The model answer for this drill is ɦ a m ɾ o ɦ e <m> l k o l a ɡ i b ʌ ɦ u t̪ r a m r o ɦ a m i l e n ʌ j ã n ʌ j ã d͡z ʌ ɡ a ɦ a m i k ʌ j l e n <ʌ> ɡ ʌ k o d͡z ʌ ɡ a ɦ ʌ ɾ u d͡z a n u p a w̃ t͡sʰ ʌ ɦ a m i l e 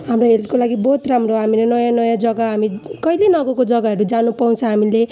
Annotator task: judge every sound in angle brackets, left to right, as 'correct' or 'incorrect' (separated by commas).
incorrect, correct